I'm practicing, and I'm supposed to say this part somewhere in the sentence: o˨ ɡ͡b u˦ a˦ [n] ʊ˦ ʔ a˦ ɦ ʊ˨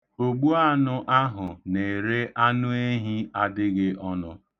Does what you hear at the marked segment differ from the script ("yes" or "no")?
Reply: no